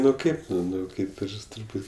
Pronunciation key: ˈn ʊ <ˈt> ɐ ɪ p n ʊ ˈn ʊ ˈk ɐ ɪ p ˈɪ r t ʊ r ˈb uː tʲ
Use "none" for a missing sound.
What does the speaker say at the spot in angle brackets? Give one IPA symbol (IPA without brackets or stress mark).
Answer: k